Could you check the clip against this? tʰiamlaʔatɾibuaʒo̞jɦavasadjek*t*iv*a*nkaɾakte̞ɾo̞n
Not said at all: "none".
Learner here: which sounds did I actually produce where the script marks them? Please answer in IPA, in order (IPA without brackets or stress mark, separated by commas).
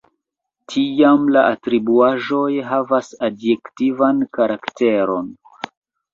t, a